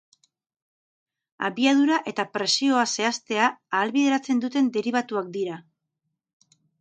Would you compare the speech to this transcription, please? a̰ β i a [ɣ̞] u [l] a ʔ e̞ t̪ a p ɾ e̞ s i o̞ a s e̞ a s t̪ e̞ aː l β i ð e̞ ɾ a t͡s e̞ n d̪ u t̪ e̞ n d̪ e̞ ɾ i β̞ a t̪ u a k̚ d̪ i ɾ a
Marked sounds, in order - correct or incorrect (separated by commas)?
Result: incorrect, incorrect